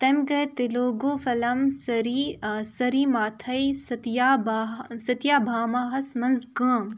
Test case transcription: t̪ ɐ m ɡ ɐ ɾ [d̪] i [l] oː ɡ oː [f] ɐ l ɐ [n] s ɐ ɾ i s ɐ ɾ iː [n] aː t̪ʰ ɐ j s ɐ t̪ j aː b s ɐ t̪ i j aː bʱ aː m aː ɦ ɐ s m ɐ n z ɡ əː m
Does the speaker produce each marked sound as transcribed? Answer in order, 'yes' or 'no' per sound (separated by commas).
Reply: no, yes, yes, no, no